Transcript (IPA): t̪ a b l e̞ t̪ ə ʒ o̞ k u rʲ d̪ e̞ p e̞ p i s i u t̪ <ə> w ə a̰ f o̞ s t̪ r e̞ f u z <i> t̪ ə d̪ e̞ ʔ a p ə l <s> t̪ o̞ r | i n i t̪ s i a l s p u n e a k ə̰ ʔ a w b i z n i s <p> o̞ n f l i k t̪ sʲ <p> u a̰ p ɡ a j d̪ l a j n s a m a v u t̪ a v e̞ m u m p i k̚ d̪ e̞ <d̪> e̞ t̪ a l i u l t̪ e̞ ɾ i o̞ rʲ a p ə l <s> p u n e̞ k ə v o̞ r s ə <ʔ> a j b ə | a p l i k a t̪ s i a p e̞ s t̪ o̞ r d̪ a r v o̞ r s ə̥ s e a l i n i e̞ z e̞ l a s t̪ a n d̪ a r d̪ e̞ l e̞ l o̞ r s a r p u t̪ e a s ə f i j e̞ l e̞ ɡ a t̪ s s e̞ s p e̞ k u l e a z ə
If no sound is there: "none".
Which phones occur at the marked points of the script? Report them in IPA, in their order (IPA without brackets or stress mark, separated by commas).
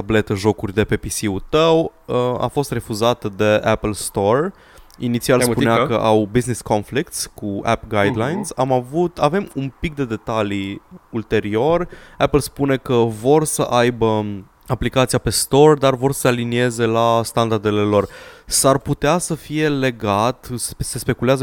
ə, a, s, k, k, d̪, s, ʔ